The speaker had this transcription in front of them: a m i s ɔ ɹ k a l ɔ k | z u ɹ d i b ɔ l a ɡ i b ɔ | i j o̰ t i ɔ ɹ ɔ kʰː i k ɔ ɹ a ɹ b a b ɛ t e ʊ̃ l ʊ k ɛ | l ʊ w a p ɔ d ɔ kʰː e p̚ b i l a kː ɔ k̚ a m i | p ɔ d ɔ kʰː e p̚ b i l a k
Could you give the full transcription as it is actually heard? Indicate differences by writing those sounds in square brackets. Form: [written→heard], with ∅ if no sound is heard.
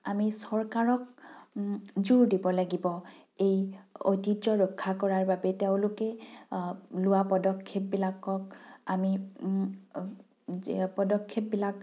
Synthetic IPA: a m i s ɔ ɹ k a [l→ɹ] ɔ k | z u ɹ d i b ɔ l a ɡ i b ɔ | [i→e] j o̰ t i ɔ ɹ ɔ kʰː [i→a] k ɔ ɹ a ɹ b a b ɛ t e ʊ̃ l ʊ k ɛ | l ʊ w a p ɔ d ɔ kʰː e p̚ b i l a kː ɔ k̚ a m i | p ɔ d ɔ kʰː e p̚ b i l a k